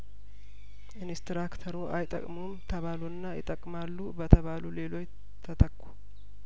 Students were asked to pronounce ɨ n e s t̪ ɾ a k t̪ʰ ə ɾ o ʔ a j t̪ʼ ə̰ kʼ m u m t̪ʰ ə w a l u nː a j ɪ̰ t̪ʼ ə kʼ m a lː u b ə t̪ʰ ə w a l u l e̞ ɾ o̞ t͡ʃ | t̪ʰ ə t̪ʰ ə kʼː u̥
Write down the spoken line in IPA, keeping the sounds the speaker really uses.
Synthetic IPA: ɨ n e s t̪ ɾ a k t̪ʰ ə ɾ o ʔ a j t̪ʼ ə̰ kʼ m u m t̪ʰ ə β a l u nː a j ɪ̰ t̪ʼ ə kʼ m a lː u b ə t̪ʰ ə β a l u l e̞ l o̞ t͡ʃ | t̪ʰ ə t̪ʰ ə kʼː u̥